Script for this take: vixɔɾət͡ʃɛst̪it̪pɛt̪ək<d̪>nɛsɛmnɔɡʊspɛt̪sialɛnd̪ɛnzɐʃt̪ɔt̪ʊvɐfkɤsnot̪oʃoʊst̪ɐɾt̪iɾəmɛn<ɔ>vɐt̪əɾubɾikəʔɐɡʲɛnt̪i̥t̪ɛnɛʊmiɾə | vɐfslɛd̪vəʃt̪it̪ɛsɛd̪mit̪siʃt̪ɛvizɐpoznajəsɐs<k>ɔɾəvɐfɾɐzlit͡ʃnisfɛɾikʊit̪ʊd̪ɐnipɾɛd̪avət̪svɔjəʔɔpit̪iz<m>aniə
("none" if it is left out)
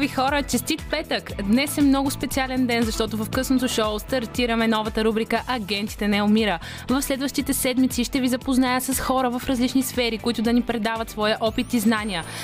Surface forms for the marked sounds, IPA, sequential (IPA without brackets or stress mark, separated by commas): d̪, ɔ, x, n